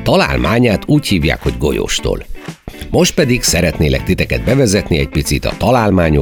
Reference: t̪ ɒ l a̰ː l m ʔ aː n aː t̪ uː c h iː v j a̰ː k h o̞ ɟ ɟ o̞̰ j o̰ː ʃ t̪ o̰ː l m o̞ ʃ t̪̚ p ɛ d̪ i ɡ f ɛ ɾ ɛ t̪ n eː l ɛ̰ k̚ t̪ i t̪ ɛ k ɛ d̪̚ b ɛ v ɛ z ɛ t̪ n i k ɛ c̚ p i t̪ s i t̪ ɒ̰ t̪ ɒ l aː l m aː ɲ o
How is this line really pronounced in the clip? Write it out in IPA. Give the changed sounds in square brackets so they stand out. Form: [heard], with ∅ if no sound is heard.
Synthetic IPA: t̪ ɒ l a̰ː l m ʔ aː [ɲ] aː t̪ uː c h iː v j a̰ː k h o̞ ɟ [ɡ] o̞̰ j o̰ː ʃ t̪ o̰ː l m o̞ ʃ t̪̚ p ɛ d̪ i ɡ [s] ɛ ɾ ɛ t̪ n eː l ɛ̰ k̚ t̪ i t̪ ɛ k ɛ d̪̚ b ɛ v ɛ z ɛ t̪ n i [∅] ɛ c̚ p i t̪ s i t̪ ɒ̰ t̪ ɒ l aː l m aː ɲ o